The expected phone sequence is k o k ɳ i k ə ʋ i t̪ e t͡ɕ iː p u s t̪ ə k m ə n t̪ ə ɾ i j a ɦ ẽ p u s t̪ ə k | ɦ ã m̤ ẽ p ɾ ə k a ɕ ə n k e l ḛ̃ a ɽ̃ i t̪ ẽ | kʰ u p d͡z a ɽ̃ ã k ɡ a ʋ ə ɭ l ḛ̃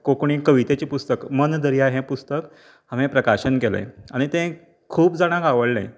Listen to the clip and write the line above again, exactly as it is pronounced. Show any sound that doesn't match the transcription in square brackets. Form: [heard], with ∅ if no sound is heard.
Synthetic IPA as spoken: k o k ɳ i k ə ʋ i t̪ e t͡ɕ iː p u s t̪ ə k m ə n [d̪] ə ɾ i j a ɦ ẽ p u s t̪ ə k | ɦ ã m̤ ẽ p ɾ ə k a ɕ ə n k e l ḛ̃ a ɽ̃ i t̪ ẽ | kʰ [uː] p d͡z a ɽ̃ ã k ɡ a ʋ ə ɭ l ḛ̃